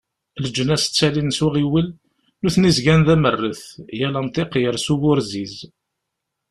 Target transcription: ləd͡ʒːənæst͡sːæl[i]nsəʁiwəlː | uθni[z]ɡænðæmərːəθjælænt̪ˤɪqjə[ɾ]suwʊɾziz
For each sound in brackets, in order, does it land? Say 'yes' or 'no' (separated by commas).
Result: yes, yes, yes